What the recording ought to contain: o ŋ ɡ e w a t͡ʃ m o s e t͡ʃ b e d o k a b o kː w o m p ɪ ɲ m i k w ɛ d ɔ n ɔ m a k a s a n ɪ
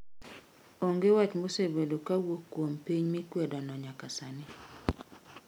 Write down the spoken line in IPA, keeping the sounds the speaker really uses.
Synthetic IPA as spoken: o ŋ ɡ e w a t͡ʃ m o s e b e d o k a w o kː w o m p i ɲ m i k w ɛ d ɔ n ɔ ɲ a k a s a n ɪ